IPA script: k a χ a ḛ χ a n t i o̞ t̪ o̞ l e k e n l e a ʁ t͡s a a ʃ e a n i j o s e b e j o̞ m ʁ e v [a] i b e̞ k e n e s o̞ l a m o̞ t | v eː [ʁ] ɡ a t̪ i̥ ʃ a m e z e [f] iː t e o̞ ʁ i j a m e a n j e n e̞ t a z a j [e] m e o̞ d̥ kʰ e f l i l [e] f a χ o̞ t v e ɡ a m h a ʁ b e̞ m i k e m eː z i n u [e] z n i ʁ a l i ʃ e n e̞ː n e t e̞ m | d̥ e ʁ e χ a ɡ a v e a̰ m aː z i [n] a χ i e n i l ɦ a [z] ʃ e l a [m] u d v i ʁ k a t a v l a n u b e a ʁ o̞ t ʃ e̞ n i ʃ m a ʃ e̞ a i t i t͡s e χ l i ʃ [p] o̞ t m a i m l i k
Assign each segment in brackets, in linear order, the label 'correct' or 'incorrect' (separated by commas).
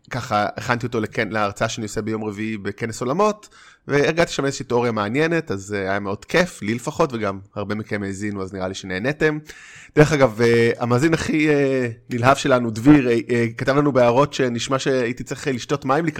incorrect, correct, incorrect, incorrect, correct, incorrect, correct, incorrect, incorrect, incorrect